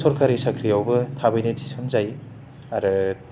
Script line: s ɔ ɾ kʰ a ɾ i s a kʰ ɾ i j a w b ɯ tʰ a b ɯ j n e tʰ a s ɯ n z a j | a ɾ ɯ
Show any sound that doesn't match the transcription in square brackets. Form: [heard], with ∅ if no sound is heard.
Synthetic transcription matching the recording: s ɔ ɾ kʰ a ɾ i s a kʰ ɾ i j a w b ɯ tʰ a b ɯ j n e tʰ [i] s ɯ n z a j | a ɾ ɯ